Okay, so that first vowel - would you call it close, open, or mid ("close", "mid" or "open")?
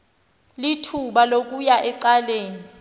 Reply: close